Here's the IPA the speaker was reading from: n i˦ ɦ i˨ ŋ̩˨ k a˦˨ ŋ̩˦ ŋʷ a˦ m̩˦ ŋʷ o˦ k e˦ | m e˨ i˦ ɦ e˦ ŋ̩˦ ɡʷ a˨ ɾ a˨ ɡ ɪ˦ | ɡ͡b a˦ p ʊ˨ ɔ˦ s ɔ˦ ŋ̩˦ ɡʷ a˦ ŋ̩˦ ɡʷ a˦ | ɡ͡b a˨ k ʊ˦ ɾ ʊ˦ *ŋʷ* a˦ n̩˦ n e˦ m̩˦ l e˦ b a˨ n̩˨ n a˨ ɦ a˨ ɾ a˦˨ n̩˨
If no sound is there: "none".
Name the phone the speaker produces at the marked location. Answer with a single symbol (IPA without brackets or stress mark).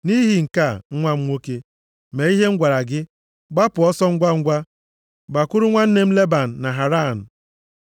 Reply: ŋʷ